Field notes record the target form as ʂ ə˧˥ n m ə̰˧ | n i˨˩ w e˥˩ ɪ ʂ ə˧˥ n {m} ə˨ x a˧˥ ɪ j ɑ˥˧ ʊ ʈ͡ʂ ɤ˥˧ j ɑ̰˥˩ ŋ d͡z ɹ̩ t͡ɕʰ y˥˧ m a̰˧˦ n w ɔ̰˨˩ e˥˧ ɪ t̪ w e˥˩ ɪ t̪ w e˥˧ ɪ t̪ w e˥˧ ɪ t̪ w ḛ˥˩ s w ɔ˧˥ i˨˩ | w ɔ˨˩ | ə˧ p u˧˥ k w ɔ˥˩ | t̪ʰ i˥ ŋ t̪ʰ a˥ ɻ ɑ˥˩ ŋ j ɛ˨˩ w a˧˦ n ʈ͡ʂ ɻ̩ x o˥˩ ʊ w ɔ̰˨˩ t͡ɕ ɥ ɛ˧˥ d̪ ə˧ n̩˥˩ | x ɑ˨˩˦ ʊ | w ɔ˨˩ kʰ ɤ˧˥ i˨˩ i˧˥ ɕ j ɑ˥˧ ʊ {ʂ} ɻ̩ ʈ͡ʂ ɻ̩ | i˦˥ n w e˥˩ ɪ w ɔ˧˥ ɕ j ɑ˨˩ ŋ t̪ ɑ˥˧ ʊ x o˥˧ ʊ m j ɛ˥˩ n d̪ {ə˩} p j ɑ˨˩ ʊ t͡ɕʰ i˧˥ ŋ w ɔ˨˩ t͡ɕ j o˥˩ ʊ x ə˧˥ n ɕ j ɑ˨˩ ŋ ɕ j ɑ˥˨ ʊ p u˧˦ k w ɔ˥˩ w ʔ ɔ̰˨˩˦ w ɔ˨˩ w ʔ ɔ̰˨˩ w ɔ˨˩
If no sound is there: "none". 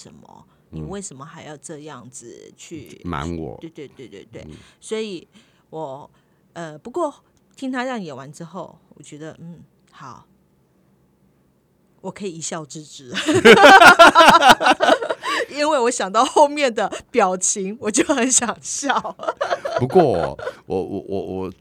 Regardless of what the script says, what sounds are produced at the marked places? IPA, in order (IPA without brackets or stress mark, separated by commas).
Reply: m, ʈ͡ʂ, ə˩